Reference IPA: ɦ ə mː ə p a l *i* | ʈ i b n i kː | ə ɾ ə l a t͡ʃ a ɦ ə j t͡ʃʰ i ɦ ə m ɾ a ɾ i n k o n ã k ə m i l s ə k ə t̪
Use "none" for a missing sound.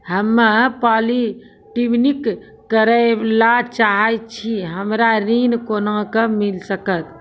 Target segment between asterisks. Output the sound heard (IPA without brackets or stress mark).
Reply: i